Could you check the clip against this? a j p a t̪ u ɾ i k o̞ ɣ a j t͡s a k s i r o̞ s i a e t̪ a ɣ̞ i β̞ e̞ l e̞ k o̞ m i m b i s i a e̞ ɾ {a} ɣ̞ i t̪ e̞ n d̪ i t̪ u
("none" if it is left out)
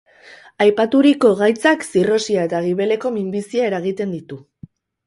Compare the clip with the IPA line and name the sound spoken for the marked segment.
a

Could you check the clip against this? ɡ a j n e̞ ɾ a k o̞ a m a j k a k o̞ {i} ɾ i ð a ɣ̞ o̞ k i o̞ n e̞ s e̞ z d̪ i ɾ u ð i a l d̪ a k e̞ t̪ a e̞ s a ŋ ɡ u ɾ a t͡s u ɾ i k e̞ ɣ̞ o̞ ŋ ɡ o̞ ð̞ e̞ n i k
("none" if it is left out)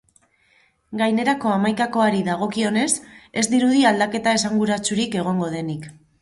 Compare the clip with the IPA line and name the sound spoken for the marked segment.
a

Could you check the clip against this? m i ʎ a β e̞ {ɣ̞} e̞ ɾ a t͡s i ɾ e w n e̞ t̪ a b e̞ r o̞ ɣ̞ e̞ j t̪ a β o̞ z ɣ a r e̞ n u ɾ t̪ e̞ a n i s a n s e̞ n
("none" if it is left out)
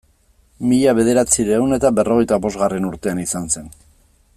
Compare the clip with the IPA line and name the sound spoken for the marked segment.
ð̞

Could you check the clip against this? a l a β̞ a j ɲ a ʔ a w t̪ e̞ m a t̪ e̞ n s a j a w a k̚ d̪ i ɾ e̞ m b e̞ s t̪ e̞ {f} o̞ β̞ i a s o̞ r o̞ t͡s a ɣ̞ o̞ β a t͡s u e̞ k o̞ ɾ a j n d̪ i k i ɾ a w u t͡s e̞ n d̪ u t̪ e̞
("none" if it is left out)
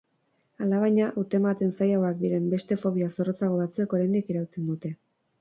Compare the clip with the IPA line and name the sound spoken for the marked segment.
f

